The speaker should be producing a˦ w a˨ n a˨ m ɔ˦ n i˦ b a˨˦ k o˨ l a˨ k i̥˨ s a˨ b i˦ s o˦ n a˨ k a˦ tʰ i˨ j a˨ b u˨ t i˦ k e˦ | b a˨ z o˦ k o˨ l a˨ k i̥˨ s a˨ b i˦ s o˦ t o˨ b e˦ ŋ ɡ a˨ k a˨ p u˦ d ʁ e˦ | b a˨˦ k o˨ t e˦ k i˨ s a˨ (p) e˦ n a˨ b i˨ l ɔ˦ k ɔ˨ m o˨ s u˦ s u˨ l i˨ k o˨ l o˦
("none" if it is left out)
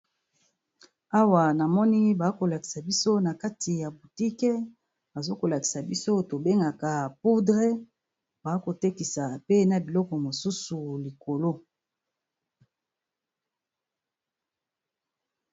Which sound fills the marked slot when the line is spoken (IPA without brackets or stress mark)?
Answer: p